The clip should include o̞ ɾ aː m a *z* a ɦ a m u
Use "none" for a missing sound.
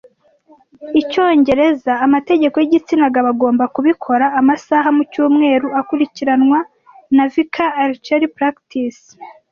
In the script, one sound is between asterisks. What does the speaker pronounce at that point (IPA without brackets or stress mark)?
s